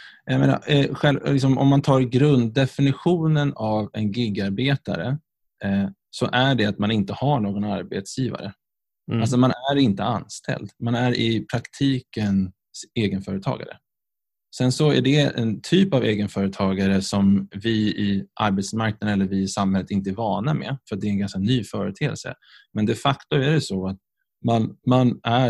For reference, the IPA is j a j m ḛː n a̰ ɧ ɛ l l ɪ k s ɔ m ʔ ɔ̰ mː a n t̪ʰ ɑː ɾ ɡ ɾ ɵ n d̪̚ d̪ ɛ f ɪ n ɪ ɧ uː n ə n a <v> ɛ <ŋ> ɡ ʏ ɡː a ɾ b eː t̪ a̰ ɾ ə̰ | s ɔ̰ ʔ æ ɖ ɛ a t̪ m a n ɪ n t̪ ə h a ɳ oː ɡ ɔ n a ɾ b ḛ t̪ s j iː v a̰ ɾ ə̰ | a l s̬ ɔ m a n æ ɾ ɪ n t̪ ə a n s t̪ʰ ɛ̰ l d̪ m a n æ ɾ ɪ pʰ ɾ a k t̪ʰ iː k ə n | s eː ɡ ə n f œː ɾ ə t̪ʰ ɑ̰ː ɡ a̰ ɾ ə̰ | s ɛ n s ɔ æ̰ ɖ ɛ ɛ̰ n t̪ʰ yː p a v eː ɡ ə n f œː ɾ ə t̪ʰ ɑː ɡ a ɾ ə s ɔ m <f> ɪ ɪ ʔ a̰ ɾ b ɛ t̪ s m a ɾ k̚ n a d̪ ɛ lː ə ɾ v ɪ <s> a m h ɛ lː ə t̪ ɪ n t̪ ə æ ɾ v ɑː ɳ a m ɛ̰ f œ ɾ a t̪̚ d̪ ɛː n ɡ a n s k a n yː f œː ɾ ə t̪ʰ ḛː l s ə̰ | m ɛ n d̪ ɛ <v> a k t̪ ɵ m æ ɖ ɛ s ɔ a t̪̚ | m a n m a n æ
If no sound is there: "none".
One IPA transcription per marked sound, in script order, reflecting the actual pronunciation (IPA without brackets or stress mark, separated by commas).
v, n, v, s, f